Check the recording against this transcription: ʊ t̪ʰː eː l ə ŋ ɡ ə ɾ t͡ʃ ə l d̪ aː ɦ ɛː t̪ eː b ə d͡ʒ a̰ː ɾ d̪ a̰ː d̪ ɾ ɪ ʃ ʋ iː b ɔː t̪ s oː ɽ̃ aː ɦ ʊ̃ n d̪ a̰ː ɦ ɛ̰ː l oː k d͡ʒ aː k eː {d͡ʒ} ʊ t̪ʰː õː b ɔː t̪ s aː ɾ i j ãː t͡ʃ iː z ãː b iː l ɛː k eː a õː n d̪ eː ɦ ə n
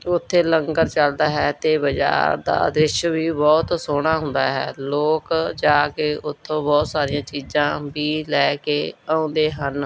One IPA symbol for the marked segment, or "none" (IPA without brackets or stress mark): none